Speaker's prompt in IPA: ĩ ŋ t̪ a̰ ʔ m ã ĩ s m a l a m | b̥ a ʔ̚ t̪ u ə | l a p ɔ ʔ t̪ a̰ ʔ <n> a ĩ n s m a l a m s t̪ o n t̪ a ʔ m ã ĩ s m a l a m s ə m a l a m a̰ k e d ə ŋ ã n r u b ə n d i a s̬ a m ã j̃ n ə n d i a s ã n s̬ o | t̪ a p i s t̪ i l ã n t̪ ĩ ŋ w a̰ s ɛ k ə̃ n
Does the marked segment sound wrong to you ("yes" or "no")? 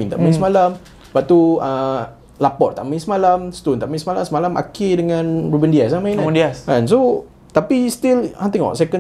yes